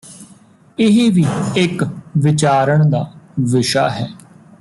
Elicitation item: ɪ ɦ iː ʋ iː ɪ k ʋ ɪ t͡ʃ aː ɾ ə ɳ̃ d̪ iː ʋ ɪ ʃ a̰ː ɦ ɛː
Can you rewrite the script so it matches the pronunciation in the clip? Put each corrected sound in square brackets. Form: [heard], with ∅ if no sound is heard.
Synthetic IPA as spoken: ɪ ɦ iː ʋ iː ɪ k ʋ ɪ t͡ʃ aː ɾ ə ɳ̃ d̪ [aː] ʋ ɪ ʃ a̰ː ɦ ɛː